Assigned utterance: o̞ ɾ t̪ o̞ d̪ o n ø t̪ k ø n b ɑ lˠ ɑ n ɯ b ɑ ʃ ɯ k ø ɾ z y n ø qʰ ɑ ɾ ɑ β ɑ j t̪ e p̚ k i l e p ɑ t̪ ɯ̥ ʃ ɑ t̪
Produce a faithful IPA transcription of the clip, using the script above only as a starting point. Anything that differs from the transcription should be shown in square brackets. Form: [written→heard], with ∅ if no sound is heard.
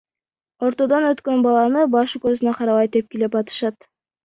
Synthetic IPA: o̞ ɾ t̪ o̞ d̪ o n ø t̪ k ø n b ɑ lˠ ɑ n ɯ b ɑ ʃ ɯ k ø ɾ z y n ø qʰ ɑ ɾ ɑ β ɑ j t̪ e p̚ k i l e p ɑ t̪ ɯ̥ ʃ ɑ t̪